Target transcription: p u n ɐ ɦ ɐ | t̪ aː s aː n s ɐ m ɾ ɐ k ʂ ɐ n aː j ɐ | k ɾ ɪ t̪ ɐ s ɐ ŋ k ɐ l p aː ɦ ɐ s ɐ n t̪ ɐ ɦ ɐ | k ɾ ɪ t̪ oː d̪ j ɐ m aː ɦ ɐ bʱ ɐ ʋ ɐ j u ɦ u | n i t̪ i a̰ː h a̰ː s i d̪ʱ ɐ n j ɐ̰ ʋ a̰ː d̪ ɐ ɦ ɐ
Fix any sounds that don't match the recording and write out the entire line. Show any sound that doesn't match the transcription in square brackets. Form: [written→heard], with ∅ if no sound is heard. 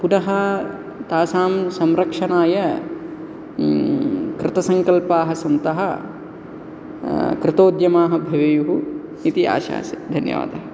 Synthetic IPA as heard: p u n ɐ ɦ ɐ | t̪ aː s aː [n→m] s ɐ m ɾ ɐ k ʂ ɐ n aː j ɐ | k ɾ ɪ t̪ ɐ s ɐ ŋ k ɐ l p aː ɦ ɐ s ɐ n t̪ ɐ ɦ ɐ | k ɾ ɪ t̪ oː d̪ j ɐ m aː ɦ ɐ bʱ ɐ ʋ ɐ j u ɦ u | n i t̪ i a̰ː [h→ʃ] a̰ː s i d̪ʱ ɐ n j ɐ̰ ʋ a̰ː d̪ ɐ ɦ ɐ